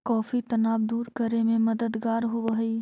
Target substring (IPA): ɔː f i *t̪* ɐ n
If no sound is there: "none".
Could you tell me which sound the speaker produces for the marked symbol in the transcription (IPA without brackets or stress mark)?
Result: t̪